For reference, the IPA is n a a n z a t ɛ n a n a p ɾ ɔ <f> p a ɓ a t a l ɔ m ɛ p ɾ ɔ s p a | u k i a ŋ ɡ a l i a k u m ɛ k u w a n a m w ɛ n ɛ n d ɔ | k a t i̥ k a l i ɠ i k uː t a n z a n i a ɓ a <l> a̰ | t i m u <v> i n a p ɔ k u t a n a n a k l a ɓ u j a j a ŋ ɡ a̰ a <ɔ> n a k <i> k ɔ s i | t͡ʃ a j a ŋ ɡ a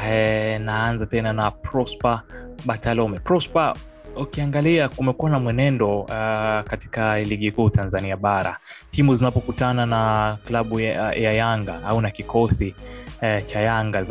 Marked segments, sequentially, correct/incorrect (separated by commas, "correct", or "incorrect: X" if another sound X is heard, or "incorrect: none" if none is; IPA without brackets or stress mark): incorrect: s, incorrect: ɾ, incorrect: z, incorrect: u, correct